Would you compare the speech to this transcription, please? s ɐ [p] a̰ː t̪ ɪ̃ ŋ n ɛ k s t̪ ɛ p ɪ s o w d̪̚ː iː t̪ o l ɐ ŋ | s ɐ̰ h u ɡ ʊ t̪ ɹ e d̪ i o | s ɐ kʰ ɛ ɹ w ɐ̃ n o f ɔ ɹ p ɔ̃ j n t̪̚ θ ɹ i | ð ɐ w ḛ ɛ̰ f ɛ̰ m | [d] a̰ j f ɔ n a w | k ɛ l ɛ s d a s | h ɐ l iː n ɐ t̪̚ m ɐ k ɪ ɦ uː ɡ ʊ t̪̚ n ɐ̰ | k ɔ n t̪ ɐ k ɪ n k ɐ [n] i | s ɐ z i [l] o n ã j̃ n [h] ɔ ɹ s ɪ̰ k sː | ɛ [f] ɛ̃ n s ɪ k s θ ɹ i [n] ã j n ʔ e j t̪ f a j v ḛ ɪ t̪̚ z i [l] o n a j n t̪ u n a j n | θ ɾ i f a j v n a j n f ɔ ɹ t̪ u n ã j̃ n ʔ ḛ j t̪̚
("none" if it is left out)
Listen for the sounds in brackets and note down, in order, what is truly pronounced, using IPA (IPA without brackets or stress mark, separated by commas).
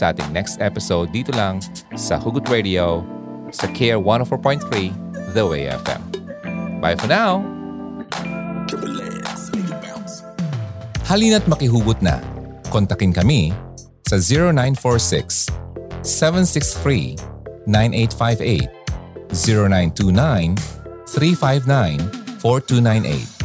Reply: ʔ, b, m, ɹ, f, v, n, ɹ